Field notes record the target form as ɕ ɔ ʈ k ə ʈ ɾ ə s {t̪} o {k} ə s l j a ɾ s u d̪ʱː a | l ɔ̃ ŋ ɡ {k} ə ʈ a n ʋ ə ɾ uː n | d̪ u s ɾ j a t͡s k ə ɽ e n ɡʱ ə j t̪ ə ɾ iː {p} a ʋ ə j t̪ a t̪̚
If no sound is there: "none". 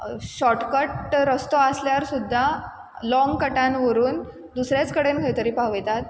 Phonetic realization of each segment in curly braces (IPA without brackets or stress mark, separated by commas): t̪, none, k, p